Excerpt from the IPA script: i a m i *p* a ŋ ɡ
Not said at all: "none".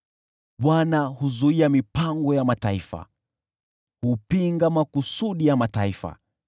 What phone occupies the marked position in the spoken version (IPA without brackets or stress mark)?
p